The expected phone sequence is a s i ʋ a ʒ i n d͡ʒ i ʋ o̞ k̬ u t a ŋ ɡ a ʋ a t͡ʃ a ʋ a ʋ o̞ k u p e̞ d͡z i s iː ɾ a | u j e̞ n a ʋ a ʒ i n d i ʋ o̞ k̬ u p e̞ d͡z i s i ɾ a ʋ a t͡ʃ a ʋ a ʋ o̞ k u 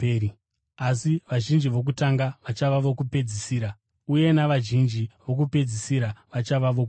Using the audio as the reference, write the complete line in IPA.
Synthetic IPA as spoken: a s i ʋ a ʒ i n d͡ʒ i ʋ o̞ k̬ u t a ŋ ɡ a ʋ a t͡ʃ a ʋ a ʋ o̞ k u p e̞ d͡z i s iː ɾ a | u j e̞ n a ʋ a ʒ i n d͡ʒ i ʋ o̞ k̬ u p e̞ d͡z i s i ɾ a ʋ a t͡ʃ a ʋ a ʋ o̞ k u